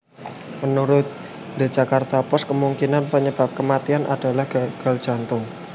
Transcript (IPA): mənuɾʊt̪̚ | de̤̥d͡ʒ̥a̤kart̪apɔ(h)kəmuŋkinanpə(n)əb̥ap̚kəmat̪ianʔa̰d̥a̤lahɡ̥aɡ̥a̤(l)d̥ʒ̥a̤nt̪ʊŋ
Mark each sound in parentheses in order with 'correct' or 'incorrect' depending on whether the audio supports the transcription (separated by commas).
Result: incorrect, incorrect, correct